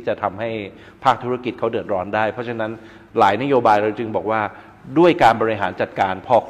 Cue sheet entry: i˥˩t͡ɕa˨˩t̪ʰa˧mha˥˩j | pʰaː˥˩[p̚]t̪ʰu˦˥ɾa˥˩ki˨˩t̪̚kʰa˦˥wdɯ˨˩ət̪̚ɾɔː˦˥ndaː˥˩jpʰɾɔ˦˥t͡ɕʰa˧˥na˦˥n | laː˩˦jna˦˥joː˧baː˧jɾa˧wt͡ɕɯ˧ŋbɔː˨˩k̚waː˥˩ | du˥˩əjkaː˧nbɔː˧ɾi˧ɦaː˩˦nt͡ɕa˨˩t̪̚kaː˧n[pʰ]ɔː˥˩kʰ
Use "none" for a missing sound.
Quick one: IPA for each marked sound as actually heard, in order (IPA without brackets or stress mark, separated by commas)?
k̚, pʰ